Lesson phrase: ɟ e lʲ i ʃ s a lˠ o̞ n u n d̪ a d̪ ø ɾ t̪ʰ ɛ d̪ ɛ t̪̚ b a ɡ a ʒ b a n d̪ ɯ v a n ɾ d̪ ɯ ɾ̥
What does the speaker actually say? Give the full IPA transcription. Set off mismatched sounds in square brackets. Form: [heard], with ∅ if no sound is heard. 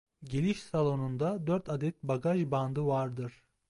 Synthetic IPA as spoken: ɟ e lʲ i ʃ s a lˠ o̞ n u n d̪ a d̪ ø ɾ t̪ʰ [a] d̪ ɛ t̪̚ b a ɡ a ʒ b a n d̪ ɯ v a [∅] ɾ d̪ ɯ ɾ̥